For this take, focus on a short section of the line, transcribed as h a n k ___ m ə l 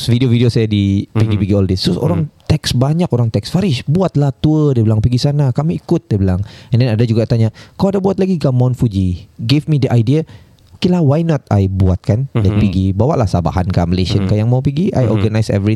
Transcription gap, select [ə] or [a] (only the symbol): a